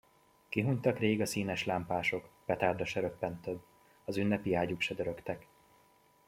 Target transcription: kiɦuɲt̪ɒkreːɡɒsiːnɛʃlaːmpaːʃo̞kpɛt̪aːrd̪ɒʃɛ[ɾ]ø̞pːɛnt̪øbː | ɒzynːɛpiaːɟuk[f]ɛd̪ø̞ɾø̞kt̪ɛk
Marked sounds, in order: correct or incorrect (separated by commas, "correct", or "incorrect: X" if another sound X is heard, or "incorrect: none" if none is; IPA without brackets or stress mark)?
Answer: correct, incorrect: ʃ